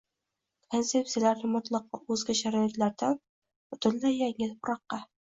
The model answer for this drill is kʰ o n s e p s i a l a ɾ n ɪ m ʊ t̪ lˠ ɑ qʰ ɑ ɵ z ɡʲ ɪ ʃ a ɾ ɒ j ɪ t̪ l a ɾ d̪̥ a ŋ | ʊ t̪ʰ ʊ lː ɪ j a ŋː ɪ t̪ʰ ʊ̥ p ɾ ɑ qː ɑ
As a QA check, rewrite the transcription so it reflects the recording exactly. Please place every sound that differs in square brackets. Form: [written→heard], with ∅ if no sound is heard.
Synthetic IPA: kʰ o n s e p s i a l a ɾ n ɪ m ʊ t̪ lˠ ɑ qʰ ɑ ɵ z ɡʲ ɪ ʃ a ɾ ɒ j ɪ t̪ l a ɾ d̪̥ a [ŋ→n] | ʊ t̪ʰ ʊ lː ɪ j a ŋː ɪ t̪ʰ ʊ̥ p ɾ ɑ qː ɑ